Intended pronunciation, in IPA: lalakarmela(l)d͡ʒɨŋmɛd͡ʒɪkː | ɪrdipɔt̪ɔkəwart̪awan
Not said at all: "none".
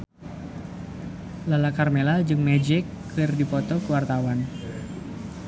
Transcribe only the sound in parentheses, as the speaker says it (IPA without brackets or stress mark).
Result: l